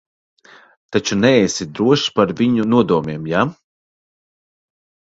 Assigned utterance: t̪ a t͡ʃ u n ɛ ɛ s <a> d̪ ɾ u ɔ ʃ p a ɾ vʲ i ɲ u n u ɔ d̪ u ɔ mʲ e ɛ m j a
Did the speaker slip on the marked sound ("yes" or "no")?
yes